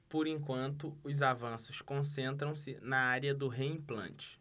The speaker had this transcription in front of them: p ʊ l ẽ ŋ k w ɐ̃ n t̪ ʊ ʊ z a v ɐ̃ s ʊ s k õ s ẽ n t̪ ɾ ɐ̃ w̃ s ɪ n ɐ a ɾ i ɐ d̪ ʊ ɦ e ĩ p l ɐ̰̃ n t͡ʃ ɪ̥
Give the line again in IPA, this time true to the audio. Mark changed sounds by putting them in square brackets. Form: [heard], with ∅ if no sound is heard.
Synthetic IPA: p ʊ [ɾ] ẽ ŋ k w ɐ̃ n t̪ ʊ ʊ z a v ɐ̃ s ʊ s k õ s ẽ n t̪ ɾ ɐ̃ w̃ s ɪ n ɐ a ɾ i ɐ d̪ ʊ ɦ e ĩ p l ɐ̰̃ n t͡ʃ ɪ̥